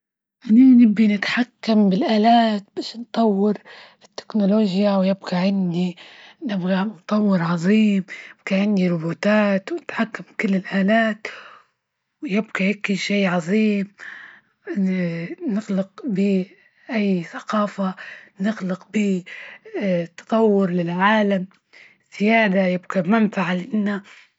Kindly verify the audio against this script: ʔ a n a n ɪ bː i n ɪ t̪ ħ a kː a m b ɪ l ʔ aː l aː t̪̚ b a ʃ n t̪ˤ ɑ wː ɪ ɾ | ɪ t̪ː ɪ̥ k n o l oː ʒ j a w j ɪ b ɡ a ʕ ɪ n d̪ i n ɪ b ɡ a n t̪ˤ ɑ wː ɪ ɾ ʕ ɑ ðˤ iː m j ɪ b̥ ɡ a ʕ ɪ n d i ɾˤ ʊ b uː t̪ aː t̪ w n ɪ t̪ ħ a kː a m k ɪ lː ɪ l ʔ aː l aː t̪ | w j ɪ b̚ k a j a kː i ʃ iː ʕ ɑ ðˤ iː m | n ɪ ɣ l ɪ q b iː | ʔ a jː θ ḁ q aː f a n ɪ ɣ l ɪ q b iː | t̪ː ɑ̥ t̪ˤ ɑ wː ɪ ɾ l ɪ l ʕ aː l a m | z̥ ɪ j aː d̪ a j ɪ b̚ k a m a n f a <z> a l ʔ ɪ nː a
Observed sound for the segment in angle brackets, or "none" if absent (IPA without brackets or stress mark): ʕ